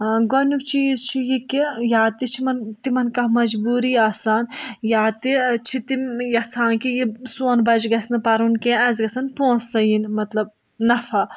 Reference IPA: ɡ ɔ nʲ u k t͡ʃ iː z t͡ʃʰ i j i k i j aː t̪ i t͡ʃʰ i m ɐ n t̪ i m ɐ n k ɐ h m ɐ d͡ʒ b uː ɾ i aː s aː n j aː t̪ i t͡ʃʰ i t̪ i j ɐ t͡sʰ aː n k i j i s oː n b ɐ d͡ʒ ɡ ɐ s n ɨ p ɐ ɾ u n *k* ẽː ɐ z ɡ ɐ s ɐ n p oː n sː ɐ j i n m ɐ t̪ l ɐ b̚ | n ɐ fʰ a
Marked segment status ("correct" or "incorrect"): correct